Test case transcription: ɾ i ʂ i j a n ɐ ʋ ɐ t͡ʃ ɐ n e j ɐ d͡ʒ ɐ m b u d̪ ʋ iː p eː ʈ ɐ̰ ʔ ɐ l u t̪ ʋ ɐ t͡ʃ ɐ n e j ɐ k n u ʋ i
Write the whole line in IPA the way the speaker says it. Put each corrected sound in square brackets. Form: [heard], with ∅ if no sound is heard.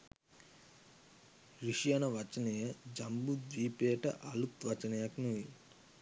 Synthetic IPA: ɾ i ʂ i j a n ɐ ʋ ɐ t͡ʃ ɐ n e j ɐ d͡ʒ ɐ m b u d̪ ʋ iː p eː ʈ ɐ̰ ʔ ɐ l u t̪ ʋ ɐ t͡ʃ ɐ n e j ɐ k n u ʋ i